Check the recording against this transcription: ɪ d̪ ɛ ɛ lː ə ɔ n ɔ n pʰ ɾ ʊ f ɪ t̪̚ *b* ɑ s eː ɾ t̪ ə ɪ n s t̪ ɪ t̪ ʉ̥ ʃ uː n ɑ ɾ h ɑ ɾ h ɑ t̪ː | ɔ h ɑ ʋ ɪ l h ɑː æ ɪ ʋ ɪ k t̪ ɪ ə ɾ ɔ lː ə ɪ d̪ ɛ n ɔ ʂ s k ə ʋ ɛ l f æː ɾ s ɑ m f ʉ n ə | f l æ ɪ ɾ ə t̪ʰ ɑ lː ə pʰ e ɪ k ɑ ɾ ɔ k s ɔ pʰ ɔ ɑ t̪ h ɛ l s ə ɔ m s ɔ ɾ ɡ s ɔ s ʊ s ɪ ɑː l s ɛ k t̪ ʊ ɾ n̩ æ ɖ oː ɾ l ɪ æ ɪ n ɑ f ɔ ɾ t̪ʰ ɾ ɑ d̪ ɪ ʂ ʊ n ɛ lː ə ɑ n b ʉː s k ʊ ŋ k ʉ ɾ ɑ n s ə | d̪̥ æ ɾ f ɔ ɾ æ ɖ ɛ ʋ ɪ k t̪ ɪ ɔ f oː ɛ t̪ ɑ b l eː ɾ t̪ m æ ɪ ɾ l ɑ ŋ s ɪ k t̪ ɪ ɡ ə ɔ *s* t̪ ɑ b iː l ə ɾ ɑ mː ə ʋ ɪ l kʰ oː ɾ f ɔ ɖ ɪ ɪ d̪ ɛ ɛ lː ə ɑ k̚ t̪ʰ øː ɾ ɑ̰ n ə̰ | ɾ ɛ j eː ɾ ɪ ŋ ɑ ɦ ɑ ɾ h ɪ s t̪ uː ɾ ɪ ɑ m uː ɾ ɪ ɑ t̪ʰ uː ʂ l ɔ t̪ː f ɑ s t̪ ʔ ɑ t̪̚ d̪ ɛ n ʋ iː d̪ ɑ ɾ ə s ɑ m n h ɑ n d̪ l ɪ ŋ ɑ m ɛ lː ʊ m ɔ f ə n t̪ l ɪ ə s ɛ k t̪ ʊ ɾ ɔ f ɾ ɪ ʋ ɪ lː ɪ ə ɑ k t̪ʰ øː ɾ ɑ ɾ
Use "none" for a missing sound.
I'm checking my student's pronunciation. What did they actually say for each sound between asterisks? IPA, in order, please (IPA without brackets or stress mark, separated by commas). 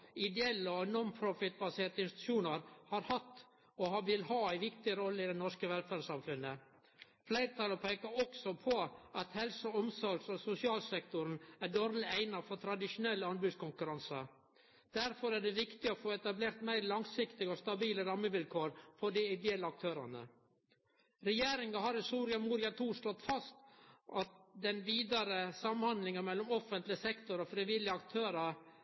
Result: b, s